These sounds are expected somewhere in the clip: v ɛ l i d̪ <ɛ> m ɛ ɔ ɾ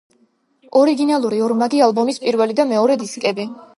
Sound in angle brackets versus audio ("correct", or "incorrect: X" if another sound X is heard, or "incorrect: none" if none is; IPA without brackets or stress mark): incorrect: a